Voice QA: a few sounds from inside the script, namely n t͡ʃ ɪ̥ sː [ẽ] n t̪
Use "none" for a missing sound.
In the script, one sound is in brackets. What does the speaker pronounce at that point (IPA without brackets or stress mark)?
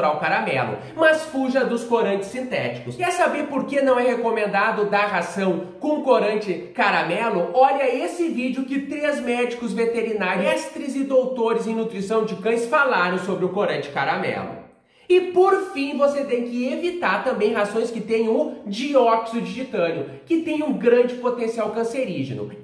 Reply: ĩ